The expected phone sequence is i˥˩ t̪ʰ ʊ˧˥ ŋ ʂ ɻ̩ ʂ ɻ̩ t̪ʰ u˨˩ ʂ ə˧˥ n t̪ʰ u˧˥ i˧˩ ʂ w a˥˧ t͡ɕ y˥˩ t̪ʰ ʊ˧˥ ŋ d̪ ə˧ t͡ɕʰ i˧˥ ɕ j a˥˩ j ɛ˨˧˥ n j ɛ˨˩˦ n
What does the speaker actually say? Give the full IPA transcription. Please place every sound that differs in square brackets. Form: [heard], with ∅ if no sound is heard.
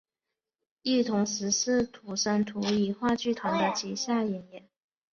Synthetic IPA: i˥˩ t̪ʰ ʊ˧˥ ŋ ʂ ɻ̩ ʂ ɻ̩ t̪ʰ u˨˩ ʂ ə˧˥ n t̪ʰ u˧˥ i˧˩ [x] w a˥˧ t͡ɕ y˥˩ t̪ʰ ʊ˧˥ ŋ d̪ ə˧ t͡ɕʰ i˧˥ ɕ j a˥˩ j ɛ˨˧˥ n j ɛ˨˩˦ n